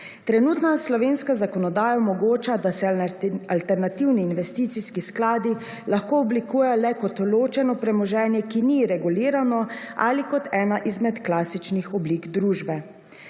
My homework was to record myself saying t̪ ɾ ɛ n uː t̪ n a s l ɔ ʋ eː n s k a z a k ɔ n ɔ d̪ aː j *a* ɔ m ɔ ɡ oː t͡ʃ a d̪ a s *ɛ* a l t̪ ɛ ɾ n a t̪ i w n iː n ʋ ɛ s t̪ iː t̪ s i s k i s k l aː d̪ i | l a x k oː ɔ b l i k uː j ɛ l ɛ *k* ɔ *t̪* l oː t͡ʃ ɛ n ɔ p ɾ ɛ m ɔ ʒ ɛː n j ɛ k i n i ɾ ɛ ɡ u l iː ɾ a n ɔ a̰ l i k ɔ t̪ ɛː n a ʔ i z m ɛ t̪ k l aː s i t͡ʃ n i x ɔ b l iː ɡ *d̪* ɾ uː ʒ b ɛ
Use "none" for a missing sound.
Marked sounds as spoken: a, ɛ, k, t̪, d̪

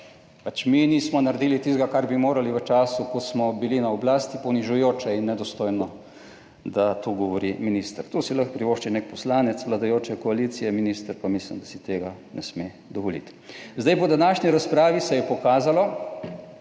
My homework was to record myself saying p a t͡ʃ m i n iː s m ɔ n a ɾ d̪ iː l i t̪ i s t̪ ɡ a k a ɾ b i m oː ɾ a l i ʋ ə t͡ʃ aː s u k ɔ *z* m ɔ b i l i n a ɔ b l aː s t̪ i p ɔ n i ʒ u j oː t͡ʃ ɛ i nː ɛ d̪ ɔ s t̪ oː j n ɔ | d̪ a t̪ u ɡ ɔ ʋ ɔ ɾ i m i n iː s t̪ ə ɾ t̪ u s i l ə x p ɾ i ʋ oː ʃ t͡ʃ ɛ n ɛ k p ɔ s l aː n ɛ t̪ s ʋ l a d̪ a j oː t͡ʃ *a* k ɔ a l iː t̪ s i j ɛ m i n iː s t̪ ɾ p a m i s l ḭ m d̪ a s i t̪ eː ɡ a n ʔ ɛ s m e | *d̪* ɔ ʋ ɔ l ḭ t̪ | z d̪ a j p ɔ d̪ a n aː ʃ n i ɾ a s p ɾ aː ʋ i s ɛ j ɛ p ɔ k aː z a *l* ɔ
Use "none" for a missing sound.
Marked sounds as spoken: s, ɛ, d̪, l

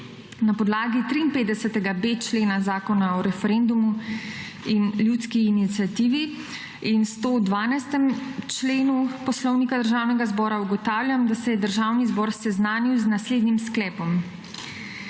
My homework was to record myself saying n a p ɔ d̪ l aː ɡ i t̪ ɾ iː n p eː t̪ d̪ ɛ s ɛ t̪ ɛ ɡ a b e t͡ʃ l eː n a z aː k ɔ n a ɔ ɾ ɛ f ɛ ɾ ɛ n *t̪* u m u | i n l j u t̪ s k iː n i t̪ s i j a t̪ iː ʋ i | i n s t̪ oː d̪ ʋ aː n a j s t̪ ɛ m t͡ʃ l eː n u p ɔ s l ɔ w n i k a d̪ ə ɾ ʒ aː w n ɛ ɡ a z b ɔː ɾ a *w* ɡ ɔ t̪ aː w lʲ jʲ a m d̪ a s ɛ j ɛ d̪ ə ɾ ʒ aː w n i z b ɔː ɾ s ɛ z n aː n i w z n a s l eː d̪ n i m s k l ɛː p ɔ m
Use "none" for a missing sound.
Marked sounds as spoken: d̪, u

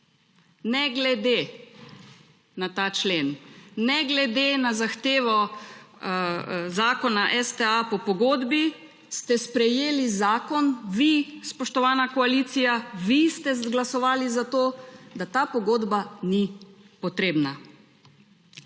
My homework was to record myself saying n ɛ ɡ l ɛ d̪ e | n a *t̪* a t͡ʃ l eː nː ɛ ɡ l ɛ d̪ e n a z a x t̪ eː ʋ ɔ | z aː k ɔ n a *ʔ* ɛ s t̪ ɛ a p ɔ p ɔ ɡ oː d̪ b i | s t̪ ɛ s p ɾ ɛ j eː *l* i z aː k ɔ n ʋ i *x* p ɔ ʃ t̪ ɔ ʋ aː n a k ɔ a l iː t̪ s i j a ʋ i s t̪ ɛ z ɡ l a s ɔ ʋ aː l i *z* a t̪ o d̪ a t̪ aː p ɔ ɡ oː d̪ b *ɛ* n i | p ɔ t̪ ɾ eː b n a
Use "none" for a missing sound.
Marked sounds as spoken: t̪, ʔ, l, s, z, a

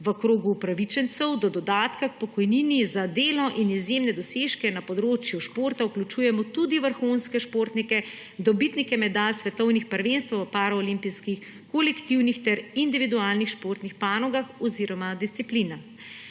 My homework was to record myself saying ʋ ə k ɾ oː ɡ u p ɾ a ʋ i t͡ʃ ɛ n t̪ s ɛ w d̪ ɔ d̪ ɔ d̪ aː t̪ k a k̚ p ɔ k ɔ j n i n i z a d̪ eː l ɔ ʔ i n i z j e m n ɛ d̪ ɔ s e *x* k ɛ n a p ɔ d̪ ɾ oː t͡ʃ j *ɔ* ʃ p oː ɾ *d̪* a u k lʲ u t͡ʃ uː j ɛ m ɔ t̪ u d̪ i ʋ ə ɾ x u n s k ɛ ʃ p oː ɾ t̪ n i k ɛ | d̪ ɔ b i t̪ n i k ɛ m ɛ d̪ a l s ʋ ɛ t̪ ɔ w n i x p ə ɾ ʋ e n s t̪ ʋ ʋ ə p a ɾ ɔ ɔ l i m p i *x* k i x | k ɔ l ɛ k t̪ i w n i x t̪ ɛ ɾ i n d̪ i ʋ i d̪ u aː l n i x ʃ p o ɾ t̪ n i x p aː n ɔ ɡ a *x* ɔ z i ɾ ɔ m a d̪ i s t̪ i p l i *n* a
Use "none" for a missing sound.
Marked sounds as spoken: ʃ, u, t̪, s, x, n

